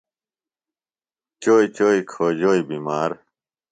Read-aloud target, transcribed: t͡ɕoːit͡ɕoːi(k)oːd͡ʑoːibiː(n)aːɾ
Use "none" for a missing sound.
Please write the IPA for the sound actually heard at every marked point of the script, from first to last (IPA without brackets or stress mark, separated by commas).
kʰ, m